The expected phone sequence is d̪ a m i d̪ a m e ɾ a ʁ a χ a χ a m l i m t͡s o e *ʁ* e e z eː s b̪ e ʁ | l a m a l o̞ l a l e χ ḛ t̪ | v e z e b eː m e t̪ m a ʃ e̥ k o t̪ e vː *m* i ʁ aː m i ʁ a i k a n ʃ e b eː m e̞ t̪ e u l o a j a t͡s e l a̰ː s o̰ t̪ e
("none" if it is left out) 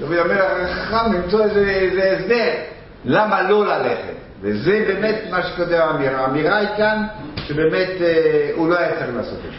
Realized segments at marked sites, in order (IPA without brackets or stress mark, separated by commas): z, m